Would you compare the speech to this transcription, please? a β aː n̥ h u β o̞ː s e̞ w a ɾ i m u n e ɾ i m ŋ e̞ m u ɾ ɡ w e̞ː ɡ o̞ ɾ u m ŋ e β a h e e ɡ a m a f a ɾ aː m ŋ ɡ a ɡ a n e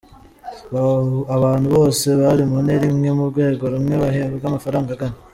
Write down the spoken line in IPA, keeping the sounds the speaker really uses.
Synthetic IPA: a β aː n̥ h u β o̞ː s e̞ β a ɾ i m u n e ɾ i m ŋ e̞ m u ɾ ɡ w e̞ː ɡ o̞ ɾ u m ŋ e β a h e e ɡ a m a f a ɾ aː ŋ ɡ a ɡ a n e